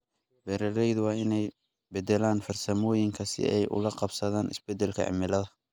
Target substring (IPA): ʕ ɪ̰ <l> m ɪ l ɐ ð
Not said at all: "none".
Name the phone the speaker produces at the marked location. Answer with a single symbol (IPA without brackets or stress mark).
none